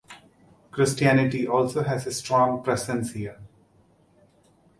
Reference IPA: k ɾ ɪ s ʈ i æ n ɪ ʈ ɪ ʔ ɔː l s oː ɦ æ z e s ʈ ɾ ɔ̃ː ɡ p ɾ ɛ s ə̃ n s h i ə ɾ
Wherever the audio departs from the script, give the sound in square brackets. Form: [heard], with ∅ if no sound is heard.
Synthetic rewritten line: k ɾ ɪ s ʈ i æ n ɪ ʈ [i] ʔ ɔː l s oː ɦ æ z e s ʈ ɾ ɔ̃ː [ŋ] p ɾ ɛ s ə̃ n s h i ə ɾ